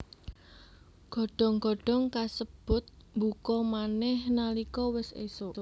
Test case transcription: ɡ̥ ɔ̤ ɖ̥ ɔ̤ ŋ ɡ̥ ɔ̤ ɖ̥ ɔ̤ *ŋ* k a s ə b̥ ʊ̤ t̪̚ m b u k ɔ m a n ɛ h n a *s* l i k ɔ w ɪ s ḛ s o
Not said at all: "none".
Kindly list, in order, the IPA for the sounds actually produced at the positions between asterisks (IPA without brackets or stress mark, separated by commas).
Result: ŋ, none